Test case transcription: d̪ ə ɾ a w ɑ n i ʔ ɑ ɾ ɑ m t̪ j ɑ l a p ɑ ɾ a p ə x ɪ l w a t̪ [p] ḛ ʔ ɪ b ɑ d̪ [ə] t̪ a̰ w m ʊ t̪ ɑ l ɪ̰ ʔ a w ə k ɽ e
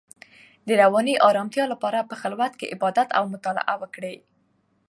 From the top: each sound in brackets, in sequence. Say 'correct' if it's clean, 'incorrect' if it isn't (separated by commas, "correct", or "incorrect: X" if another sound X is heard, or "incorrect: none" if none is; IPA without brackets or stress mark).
incorrect: k, incorrect: a